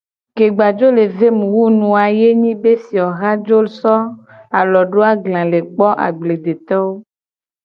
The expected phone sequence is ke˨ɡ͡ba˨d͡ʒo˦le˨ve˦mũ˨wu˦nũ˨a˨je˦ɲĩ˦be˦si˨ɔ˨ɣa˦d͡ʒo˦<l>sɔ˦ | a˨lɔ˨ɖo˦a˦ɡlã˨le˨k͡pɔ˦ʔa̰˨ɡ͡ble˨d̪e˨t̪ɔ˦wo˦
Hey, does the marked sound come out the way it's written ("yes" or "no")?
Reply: yes